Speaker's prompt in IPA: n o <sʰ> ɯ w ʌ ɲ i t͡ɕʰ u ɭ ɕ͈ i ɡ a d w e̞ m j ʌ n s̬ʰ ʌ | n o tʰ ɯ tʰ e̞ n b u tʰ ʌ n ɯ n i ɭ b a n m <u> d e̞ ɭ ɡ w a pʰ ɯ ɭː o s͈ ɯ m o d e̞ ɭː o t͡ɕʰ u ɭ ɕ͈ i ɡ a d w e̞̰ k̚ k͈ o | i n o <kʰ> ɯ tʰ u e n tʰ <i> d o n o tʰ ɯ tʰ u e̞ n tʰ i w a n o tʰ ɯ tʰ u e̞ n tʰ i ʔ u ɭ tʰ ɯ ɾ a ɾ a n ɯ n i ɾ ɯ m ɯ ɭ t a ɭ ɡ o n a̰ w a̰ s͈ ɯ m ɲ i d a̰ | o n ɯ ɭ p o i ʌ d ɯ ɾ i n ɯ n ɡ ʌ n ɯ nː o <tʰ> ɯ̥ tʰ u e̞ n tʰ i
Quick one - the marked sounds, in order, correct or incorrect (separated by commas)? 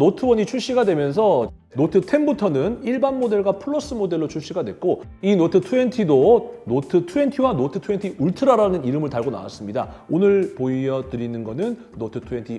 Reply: incorrect, incorrect, incorrect, correct, correct